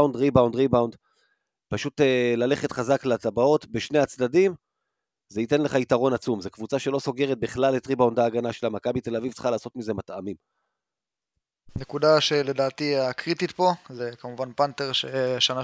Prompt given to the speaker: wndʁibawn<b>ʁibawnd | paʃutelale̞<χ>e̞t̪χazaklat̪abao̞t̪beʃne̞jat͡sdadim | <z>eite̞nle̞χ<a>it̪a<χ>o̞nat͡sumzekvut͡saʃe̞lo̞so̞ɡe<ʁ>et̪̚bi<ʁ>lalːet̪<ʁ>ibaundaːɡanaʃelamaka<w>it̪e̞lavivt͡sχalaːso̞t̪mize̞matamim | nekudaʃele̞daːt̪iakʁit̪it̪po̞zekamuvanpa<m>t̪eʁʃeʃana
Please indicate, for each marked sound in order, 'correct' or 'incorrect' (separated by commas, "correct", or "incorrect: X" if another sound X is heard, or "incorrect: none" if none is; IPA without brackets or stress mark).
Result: incorrect: d, correct, correct, correct, incorrect: ʁ, correct, incorrect: χ, correct, incorrect: b, incorrect: n